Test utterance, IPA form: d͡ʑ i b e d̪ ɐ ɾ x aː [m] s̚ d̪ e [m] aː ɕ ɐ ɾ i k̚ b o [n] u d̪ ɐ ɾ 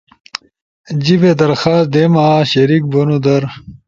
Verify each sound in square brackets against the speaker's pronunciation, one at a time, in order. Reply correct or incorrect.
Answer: incorrect: none, correct, correct

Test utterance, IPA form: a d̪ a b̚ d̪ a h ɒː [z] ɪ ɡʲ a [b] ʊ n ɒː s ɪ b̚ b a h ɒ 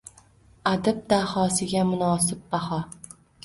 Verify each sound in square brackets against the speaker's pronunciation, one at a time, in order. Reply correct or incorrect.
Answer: incorrect: s, incorrect: m

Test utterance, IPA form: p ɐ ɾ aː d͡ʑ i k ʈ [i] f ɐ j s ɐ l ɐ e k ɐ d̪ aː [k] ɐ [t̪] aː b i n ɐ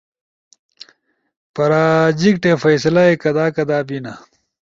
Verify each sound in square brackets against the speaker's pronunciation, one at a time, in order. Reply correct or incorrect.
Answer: incorrect: e, correct, incorrect: d̪

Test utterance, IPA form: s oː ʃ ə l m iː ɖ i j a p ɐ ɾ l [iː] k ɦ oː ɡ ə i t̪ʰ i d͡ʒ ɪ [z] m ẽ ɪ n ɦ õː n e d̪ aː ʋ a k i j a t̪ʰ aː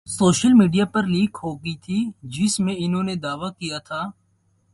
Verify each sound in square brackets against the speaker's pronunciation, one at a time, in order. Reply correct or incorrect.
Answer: correct, incorrect: s

